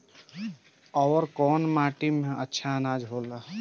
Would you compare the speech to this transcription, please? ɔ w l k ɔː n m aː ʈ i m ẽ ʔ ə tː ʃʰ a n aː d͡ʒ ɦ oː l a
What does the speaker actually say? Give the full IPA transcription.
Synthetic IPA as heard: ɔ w ɾ k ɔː n m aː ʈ i m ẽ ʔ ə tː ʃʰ a n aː d͡ʒ ɦ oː l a